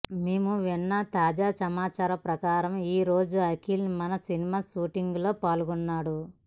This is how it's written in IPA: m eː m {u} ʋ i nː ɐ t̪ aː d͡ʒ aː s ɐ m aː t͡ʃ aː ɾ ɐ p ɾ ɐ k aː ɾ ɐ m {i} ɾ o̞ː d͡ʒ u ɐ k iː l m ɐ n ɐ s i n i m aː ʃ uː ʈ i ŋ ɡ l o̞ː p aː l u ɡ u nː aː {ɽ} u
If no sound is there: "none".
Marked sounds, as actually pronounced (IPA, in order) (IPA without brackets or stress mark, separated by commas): u, iː, ɽ